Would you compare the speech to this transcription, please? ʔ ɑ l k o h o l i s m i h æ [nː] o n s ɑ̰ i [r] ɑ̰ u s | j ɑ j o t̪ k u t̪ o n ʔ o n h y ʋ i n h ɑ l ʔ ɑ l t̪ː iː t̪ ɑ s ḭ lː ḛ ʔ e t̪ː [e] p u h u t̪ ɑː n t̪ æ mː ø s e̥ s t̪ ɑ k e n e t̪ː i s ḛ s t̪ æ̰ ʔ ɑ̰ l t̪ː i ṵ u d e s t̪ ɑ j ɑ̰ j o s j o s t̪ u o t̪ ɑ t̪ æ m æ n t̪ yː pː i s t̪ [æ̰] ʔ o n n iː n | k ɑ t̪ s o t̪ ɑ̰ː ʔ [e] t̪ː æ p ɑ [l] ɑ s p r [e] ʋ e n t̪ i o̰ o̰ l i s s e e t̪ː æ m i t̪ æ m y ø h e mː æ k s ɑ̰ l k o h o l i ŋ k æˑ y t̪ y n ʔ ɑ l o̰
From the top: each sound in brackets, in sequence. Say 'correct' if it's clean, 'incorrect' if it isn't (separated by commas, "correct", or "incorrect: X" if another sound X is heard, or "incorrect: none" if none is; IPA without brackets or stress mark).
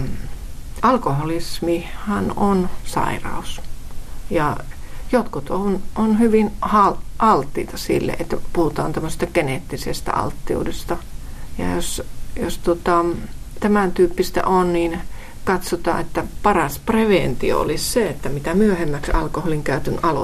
incorrect: n, correct, incorrect: æ, correct, correct, incorrect: r, correct